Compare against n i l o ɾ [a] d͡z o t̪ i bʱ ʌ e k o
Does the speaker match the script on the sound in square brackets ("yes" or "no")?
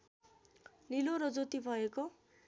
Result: no